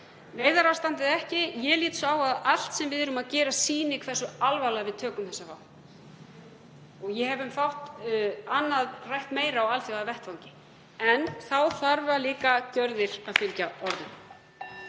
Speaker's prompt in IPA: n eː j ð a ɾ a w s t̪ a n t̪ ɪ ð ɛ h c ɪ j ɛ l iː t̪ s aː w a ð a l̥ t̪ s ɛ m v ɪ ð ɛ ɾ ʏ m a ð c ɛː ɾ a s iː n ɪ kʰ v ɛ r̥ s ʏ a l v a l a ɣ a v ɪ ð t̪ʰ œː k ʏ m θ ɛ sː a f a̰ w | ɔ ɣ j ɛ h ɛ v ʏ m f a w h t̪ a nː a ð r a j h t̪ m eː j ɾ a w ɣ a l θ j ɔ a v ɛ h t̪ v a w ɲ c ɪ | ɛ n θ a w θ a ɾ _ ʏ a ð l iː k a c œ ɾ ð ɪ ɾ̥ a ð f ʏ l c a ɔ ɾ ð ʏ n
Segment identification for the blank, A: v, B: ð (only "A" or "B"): A